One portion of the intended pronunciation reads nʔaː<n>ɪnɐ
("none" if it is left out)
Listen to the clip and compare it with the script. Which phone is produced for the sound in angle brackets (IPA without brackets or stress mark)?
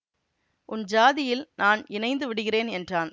n